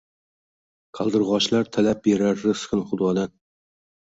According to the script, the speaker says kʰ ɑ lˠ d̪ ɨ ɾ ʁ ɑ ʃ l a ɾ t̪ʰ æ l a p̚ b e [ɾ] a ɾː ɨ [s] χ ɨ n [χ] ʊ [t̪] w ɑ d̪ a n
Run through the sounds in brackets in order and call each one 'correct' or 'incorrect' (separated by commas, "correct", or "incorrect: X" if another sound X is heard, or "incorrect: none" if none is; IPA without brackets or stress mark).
correct, correct, correct, incorrect: d̪